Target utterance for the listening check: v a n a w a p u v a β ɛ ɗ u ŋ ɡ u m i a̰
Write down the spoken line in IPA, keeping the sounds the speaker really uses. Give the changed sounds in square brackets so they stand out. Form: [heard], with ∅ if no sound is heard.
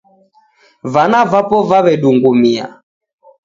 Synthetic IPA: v a n a [v] a p [ɔ] v a β ɛ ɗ u ŋ ɡ u m i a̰